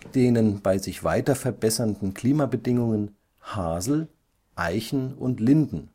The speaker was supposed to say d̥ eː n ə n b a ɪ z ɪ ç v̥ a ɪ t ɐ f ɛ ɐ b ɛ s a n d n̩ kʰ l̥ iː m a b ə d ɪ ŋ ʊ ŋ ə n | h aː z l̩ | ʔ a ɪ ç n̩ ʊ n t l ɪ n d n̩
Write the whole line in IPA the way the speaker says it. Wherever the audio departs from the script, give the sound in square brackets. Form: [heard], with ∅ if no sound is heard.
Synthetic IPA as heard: d̥ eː n ə n b a ɪ z ɪ ç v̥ a ɪ t ɐ f ɛ ɐ b ɛ s [ɐ] n d n̩ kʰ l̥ iː m a b ə d ɪ ŋ ʊ ŋ ə n | h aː z l̩ | ʔ a ɪ ç n̩ ʊ n t l ɪ n d n̩